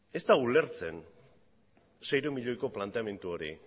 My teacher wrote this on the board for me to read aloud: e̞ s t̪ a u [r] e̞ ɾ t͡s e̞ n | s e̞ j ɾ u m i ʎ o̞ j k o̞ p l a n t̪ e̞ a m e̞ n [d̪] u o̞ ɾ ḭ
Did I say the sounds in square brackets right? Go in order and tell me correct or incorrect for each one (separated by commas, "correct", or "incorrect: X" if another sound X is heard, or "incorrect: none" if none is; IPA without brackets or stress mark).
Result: incorrect: l, incorrect: t̪